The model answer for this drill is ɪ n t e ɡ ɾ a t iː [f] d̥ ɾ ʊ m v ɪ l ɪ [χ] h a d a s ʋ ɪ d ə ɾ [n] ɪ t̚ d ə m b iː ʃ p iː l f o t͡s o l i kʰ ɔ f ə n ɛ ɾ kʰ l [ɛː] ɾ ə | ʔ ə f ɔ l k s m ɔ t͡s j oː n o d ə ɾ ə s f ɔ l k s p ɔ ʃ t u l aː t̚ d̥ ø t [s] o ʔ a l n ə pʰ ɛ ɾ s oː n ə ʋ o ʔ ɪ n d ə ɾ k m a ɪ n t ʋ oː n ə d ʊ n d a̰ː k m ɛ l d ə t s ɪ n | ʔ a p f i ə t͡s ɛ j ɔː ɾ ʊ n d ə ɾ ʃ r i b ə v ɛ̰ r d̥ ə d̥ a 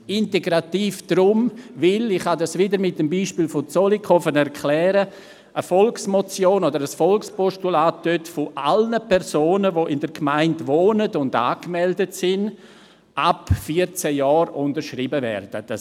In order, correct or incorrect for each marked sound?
correct, correct, incorrect, correct, incorrect

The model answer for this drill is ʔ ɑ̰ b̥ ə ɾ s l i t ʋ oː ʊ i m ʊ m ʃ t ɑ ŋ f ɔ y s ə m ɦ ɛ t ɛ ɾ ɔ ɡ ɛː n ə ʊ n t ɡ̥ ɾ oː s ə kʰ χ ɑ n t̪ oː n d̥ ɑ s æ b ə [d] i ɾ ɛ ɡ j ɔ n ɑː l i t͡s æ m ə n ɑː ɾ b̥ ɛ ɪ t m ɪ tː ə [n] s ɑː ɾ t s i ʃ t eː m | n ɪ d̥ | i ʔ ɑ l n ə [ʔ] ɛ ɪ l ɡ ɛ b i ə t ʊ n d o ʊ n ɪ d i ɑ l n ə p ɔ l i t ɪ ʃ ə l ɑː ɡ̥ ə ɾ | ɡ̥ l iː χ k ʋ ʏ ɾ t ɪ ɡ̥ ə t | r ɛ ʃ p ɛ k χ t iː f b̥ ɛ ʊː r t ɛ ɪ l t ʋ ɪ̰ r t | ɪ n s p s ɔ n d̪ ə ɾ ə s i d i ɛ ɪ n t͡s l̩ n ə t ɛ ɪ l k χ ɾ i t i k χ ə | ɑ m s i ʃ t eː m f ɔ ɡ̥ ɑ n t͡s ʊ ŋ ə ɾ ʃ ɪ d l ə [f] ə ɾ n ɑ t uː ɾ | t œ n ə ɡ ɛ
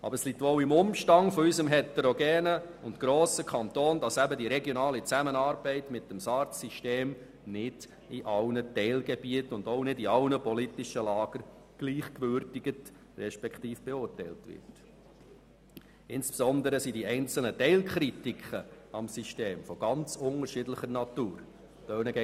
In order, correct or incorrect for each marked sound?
correct, incorrect, incorrect, incorrect

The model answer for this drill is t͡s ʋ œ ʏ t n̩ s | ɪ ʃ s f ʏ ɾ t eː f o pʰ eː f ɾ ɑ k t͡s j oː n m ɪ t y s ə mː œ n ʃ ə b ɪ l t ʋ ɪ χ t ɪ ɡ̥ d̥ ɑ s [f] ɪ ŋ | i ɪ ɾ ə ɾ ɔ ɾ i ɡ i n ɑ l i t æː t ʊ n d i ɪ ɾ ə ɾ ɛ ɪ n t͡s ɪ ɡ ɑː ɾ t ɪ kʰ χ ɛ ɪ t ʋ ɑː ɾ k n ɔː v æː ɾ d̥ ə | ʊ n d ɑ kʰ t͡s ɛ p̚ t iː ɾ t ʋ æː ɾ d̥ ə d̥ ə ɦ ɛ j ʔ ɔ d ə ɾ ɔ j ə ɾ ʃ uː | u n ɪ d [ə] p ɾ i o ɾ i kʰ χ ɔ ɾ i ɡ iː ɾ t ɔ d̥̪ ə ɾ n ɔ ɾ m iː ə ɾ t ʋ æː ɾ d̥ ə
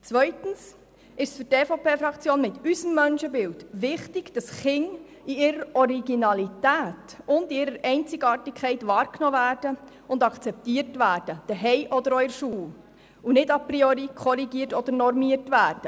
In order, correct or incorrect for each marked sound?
incorrect, incorrect

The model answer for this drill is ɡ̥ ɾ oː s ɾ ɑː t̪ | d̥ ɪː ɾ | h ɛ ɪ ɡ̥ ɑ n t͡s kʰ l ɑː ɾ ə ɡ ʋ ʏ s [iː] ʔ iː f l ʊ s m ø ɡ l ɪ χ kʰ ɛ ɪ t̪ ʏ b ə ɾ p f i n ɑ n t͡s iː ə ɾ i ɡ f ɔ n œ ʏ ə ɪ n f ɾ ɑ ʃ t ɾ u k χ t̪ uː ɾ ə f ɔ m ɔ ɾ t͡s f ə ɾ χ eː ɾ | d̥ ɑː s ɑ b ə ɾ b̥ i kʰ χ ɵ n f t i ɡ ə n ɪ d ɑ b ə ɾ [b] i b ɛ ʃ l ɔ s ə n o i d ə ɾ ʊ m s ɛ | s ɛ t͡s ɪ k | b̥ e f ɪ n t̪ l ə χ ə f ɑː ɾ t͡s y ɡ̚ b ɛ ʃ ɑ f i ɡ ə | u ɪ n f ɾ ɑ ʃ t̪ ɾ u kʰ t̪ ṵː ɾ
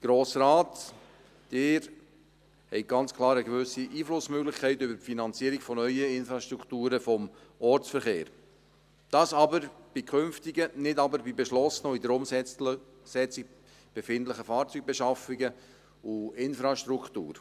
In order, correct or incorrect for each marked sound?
incorrect, correct

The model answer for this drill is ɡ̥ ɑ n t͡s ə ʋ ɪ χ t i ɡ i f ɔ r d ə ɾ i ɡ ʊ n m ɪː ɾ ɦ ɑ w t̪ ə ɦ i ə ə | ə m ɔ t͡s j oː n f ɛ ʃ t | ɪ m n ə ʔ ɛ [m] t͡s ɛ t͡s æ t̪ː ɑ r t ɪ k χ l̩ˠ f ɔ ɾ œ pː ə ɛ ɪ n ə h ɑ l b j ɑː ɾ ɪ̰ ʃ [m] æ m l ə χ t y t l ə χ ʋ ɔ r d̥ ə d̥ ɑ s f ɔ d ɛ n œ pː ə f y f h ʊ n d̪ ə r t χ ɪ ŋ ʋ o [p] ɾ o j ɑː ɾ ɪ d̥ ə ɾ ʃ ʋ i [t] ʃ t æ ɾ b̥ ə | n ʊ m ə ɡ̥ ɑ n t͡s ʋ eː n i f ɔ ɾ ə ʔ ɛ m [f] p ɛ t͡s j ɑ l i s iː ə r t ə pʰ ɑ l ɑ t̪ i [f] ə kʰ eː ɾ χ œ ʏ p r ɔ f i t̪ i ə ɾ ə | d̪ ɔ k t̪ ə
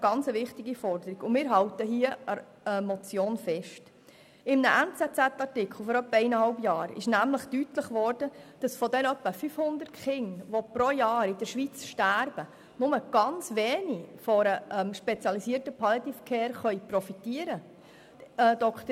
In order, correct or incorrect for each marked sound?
incorrect, incorrect, correct, incorrect, incorrect, correct

